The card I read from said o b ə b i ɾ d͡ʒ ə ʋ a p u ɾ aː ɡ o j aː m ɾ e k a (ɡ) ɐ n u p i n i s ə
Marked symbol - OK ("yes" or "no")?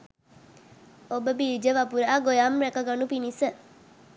yes